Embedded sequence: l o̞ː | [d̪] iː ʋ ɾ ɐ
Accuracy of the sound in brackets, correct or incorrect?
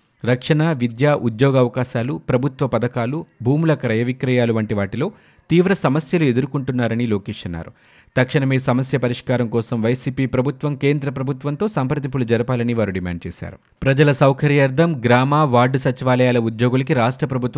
incorrect